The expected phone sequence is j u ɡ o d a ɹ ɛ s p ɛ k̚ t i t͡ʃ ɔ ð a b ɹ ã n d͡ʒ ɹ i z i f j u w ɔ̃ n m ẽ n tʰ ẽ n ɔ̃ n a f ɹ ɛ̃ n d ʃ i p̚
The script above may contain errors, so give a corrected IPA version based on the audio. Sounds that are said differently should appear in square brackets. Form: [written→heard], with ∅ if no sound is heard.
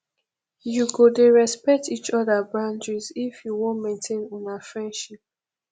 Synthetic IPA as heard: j u ɡ o d [a→e] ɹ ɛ s p ɛ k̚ t i t͡ʃ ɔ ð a b ɹ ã n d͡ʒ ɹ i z i f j u w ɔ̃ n m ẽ n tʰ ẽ n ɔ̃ n a f ɹ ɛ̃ n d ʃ i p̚

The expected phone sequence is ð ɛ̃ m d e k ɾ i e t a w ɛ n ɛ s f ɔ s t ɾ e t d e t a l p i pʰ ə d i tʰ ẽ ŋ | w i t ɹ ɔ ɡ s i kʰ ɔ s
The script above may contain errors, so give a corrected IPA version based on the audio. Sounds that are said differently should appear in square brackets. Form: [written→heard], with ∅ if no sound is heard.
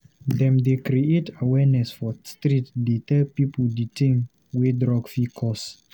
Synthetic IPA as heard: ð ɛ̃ m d e k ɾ i e t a w ɛ n ɛ s f ɔ s t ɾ [e→i] t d e t [a→ɛ] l p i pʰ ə d i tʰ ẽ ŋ | w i [t→d] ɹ ɔ ɡ [s→f] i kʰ ɔ s

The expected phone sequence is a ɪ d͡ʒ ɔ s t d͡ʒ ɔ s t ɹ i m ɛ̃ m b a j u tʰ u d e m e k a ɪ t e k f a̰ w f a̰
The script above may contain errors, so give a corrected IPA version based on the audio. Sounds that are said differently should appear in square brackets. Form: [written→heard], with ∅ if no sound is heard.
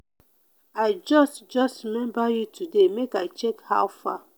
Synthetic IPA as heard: a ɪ d͡ʒ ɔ s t d͡ʒ ɔ s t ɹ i m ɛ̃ m b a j u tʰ u d e m e k a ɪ [t→t͡ʃ] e k [f→h] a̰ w f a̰

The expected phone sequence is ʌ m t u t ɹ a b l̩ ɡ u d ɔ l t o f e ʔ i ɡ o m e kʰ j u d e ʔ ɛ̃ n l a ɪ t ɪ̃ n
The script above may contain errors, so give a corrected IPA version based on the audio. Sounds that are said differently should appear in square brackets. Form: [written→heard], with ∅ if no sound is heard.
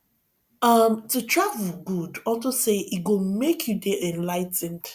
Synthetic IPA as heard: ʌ m t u t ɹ a [b→v] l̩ ɡ u d ɔ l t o [f→s] e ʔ i ɡ o m e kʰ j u d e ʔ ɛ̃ n l a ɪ t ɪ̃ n

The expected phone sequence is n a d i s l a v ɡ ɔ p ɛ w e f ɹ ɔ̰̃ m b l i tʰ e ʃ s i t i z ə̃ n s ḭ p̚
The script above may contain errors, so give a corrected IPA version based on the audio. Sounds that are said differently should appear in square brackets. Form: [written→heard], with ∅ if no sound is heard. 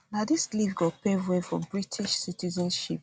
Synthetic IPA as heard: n a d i s l [a→i] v ɡ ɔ p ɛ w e f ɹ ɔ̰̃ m b [l→ɹ] i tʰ [e→i] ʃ s i t i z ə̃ n [s→ʃ] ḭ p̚

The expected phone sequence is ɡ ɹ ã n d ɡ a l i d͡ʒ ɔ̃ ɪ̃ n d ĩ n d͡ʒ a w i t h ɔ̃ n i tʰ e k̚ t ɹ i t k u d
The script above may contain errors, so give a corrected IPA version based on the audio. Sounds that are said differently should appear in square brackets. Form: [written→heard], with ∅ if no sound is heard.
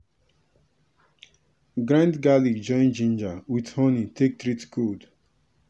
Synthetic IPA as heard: ɡ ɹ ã n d ɡ a l i d͡ʒ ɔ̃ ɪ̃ n [d→d͡ʒ] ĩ n d͡ʒ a w i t h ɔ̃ n i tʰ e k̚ t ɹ i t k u d

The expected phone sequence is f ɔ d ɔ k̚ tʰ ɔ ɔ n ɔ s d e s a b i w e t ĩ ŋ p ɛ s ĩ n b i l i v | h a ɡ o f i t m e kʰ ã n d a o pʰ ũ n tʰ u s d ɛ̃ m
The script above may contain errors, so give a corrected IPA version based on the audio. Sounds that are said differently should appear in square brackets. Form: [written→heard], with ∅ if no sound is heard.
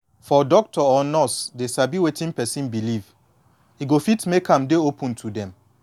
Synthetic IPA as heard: f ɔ d ɔ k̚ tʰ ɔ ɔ n ɔ s d e s a b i w e t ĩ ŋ p ɛ s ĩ n b i l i v | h [a→i] ɡ o f i t m e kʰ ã [n→m] d [a→e] o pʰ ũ n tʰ u [s→∅] d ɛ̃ m

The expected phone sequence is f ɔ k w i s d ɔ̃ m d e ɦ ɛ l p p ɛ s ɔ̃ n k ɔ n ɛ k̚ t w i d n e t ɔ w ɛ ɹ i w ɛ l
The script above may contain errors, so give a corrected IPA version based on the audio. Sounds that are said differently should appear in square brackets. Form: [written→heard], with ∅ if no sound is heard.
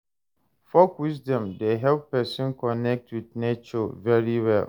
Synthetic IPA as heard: f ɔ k w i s d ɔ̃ m d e ɦ ɛ l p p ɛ s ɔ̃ n k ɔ n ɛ k̚ t w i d n e [t→t͡ʃ] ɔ [w→v] ɛ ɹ i w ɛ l

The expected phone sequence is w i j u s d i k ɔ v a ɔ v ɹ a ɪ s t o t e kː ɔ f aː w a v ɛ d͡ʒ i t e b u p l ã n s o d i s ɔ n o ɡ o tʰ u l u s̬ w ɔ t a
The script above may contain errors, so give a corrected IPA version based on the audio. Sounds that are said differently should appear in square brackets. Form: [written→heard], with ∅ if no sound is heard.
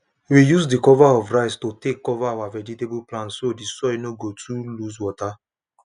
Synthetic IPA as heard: w i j u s d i k ɔ v a ɔ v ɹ a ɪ s t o t e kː ɔ [f→v] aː w a v ɛ d͡ʒ i t e b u p l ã n s o d i s ɔ n o ɡ o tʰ u l u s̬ w ɔ t a

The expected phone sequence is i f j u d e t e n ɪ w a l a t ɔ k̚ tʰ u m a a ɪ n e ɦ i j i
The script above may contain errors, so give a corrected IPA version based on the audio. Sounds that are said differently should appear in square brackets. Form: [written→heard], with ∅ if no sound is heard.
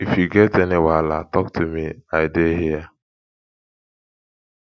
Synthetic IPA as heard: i f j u [d→ɡ] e t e n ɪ w a l a t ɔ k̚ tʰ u m [a→i] a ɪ [n→d] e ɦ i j [i→a]

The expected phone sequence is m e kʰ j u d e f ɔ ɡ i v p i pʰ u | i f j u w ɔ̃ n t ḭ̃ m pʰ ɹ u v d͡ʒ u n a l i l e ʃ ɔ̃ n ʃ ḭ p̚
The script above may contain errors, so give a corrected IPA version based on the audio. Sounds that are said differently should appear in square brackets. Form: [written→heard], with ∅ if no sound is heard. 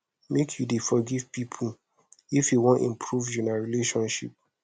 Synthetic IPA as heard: m e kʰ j u d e f ɔ ɡ i v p i pʰ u | i f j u w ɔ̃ n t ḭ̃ m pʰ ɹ u v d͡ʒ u n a [l→ɹ] i l e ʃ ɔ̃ n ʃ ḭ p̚

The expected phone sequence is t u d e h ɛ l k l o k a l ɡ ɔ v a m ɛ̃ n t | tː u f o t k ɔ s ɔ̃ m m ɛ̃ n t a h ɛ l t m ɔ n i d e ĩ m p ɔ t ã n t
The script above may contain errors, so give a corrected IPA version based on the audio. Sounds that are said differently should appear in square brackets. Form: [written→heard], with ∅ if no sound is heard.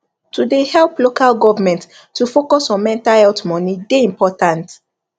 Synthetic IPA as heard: t u d e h ɛ l [k→p] l o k a l ɡ ɔ v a m ɛ̃ n t | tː u f o [t→∅] k ɔ s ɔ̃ [m→n] m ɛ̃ n t a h ɛ l t m ɔ n i d e ĩ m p ɔ t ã n t

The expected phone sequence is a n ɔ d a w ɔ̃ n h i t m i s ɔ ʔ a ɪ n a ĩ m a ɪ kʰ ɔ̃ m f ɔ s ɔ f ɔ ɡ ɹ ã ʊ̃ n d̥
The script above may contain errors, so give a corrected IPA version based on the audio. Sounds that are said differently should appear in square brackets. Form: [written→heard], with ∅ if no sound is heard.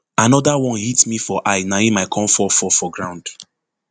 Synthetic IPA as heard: a n ɔ d a w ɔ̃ n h i t m i [s→f] ɔ ʔ a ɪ n a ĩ m a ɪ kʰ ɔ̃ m f ɔ [s→f] ɔ f ɔ ɡ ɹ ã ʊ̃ n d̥

